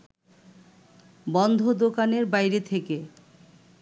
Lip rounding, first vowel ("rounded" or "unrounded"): rounded